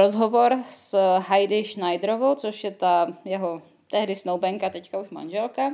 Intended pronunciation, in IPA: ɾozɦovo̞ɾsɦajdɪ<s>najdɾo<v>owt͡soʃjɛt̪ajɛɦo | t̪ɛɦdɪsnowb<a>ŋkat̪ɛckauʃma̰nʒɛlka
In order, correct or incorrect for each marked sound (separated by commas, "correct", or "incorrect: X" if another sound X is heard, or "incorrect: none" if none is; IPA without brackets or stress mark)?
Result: incorrect: ʃ, correct, incorrect: ɛ